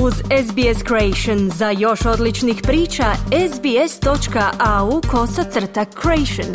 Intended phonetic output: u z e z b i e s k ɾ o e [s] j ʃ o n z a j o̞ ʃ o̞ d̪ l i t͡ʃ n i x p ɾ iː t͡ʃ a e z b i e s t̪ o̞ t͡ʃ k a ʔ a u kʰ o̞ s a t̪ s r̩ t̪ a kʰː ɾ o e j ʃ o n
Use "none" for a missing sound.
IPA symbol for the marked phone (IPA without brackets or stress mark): none